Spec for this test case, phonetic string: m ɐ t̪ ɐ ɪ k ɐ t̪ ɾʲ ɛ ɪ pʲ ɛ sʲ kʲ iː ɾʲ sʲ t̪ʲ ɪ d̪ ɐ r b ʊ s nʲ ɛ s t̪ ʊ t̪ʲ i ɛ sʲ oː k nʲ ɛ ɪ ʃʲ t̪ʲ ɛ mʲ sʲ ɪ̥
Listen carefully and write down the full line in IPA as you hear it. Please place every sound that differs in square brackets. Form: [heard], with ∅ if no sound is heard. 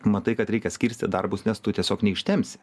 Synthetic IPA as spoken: m ɐ t̪ ɐ ɪ k ɐ t̪ ɾʲ ɛ ɪ [kʲ] ɛ sʲ kʲ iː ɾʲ sʲ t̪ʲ ɪ d̪ ɐ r b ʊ s nʲ ɛ s t̪ ʊ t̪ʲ i ɛ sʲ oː k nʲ ɛ ɪ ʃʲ t̪ʲ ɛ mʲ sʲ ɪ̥